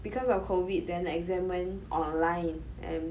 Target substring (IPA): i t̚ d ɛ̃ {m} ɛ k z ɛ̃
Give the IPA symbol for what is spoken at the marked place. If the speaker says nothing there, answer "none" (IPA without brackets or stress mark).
n